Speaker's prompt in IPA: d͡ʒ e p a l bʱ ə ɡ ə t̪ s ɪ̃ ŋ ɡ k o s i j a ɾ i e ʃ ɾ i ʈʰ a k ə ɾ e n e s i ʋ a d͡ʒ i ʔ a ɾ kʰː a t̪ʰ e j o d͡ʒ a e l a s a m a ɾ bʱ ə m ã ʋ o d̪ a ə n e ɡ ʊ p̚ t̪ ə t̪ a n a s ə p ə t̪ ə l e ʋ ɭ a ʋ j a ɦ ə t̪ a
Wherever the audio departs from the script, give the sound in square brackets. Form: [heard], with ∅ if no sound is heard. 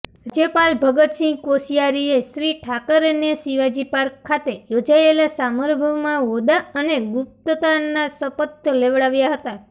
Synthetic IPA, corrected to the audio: d͡ʒ e p a l bʱ ə ɡ ə t̪ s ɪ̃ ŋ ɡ k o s i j a ɾ i e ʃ ɾ i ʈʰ a k ə ɾ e n e s i ʋ a d͡ʒ i [p] a ɾ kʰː a [t̪] e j o d͡ʒ a e l a s a m [ə] ɾ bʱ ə m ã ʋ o d̪ a ə n e ɡ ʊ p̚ t̪ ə t̪ a n a s ə p ə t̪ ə l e ʋ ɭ a ʋ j a ɦ ə t̪ a